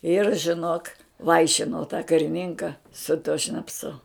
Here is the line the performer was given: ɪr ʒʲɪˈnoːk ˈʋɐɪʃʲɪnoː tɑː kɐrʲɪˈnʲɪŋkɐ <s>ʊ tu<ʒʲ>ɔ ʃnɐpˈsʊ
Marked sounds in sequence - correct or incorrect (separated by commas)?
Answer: correct, incorrect